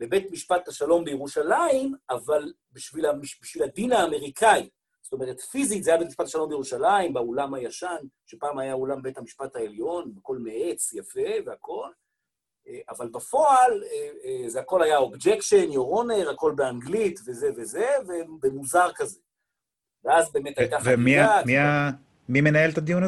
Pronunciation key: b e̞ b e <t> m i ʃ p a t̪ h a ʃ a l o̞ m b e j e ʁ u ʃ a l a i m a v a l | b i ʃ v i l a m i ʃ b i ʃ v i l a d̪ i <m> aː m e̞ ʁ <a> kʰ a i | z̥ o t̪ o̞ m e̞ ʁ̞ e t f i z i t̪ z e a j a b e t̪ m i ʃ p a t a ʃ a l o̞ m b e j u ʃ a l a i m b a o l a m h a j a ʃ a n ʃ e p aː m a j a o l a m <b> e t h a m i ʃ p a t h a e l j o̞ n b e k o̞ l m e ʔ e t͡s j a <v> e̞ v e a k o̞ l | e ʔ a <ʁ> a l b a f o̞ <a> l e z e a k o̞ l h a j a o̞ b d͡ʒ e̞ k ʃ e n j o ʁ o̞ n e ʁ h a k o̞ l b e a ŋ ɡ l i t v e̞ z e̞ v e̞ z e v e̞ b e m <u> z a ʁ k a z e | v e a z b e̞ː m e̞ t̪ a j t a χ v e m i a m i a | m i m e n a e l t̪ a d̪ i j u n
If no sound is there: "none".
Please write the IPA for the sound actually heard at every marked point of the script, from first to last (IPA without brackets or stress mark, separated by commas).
t, n, i, b, f, v, a, u